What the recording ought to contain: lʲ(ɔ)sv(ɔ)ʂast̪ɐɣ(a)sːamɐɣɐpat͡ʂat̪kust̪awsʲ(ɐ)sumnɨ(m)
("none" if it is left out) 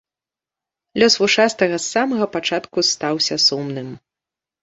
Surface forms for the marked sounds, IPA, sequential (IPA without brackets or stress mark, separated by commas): ɔ, u, ɐ, ɐ, m